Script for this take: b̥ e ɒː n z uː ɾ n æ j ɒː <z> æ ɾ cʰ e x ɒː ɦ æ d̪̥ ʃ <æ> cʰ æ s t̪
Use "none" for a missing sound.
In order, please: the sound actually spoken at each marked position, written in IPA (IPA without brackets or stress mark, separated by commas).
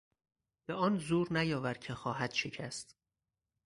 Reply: v, e